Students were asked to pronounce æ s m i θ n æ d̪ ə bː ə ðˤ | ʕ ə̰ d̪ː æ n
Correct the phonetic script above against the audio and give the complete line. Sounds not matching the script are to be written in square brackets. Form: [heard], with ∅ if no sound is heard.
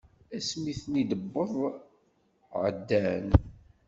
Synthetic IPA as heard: æ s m i θ n [i] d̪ ə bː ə ðˤ | ʕ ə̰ d̪ː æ n